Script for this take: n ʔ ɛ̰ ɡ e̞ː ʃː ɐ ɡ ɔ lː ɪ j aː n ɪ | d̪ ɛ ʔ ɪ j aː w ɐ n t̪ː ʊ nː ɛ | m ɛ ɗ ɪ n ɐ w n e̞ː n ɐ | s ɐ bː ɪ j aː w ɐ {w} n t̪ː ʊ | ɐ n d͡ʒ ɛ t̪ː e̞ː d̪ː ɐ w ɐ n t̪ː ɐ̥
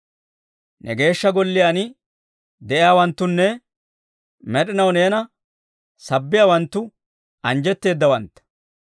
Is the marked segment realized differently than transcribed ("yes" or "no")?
yes